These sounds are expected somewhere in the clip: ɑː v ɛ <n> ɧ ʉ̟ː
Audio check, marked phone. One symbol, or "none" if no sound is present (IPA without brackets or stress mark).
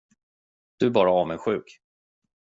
n